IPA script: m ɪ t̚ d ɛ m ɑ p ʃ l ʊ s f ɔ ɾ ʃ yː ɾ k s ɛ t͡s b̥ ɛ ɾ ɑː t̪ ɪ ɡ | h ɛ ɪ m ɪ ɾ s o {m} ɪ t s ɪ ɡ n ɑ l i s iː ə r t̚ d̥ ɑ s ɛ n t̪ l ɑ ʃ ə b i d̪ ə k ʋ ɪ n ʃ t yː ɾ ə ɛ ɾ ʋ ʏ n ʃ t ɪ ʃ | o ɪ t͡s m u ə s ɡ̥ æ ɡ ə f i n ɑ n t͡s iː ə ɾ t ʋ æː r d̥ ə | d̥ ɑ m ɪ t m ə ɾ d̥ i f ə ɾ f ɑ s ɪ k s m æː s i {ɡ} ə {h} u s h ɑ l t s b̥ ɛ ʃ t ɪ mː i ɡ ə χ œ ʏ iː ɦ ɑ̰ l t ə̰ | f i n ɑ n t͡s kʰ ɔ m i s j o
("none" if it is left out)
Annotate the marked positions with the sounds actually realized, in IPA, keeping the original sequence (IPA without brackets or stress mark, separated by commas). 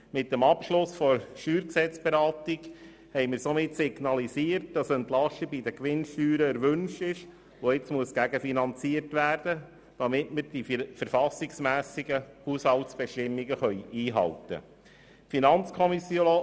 m, ɡ, h